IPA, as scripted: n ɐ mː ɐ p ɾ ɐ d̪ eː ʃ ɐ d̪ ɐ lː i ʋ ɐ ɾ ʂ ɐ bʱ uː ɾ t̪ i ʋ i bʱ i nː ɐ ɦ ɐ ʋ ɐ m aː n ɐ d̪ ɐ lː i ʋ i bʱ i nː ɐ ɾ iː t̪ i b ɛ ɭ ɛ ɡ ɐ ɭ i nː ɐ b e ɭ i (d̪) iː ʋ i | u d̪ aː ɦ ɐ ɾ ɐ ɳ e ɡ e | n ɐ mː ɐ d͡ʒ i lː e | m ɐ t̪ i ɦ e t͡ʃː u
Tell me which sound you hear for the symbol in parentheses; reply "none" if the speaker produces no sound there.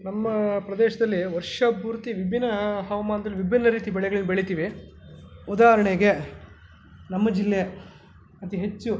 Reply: t̪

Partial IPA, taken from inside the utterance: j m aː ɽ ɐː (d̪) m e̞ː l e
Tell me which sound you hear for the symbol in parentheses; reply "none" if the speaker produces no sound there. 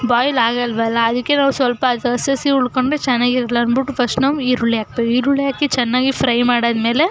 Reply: d̪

